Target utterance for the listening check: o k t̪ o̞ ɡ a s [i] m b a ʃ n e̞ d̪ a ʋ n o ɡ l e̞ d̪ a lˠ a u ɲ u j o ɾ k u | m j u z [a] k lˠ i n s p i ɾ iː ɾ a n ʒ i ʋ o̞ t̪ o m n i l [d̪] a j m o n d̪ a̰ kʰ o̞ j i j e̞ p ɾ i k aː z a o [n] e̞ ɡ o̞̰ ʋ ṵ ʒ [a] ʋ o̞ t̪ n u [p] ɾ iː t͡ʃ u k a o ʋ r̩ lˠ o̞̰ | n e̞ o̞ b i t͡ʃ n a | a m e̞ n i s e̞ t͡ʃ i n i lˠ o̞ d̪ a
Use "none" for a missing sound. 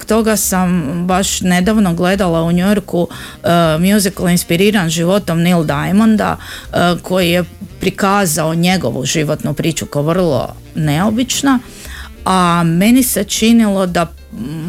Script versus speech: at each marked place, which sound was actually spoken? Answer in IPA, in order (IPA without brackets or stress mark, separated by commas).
a, i, d̪, ɲ, i, p